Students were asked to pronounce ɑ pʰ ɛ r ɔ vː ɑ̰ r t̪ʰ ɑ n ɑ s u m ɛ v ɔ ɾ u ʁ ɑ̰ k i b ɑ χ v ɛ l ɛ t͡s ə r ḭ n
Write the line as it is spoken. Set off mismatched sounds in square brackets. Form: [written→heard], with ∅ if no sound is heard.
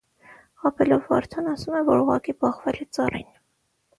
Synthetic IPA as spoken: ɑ pʰ ɛ [r→l] ɔ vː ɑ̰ [r→ɾ] t̪ʰ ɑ n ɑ s u m ɛ v ɔ ɾ u ʁ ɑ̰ k i b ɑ χ v ɛ l ɛ t͡s [ə→ɑ] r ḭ n